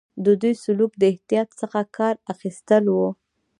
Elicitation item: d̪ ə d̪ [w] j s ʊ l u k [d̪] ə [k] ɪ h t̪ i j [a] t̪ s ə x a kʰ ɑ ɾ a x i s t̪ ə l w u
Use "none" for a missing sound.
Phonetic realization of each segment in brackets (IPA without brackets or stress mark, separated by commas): u, d̪, none, ɑ